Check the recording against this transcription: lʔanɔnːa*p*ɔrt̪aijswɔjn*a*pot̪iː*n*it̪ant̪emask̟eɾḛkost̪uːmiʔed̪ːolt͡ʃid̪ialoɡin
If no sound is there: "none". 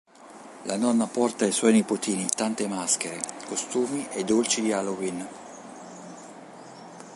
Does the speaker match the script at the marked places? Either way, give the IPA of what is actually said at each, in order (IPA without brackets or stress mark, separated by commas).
p, i, n